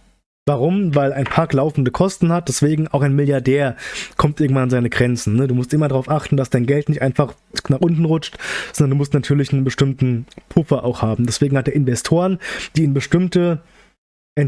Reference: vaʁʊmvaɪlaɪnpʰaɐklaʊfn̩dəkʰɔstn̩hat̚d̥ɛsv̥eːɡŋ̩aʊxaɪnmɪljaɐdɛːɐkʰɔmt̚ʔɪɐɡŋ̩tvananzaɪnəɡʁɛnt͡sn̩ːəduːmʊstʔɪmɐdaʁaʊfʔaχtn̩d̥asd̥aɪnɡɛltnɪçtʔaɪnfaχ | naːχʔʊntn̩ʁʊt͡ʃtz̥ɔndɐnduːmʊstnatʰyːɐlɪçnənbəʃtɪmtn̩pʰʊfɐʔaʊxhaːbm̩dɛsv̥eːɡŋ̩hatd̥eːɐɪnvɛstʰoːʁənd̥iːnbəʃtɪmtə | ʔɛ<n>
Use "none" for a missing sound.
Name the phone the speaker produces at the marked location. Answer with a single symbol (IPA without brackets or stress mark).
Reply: n